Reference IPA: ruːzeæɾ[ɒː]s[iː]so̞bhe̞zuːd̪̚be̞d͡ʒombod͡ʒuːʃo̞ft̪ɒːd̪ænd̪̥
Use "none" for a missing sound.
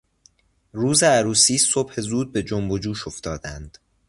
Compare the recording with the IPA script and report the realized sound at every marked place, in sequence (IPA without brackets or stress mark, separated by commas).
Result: uː, iː